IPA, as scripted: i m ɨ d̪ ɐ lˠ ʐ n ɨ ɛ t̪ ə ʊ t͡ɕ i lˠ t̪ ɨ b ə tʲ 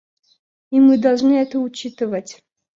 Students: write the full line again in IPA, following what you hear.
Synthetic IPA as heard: i m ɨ d̪ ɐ lˠ ʐ n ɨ ɛ t̪ ə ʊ t͡ɕ i t̪ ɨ v ə tʲ